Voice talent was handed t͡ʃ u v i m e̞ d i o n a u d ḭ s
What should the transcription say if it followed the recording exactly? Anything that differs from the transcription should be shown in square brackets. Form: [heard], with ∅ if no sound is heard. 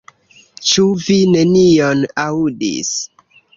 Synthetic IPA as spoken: t͡ʃ u v i [n] e̞ [n] i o n a u d ḭ s